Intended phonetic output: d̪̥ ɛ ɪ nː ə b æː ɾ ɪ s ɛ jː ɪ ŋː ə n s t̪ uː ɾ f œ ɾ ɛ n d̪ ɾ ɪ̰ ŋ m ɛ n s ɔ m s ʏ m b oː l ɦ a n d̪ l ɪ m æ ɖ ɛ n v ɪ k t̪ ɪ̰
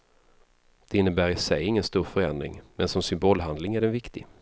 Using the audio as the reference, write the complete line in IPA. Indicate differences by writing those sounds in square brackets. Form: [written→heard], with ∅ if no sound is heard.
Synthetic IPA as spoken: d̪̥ ɛ ɪ nː ə b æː ɾ ɪ s ɛ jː ɪ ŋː ə n s t̪ uː ɾ f œ ɾ ɛ n d̪ ɾ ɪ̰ ŋ m ɛ n s ɔ m s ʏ m b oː l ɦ a n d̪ l ɪ [m→ŋ] æ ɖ ɛ n v ɪ k t̪ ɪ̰